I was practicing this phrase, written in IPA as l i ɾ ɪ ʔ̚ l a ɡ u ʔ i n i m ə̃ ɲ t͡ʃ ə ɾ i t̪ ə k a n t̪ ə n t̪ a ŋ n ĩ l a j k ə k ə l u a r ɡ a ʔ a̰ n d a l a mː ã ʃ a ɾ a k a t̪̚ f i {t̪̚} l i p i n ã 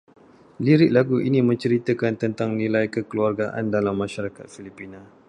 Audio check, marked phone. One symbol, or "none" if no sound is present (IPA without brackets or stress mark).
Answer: none